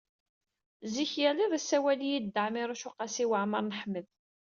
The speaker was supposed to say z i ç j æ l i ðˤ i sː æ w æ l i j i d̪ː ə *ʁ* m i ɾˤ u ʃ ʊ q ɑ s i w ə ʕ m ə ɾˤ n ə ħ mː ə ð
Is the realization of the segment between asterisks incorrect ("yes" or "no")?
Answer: yes